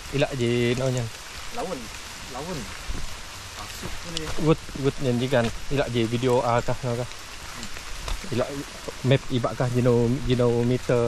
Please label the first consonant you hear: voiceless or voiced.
voiced